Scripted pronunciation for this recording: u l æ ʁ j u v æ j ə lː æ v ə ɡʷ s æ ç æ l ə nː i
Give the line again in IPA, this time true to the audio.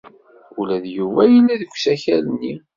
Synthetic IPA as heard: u l æ ð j u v æ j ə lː æ ð ə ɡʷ s æ ç æ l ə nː i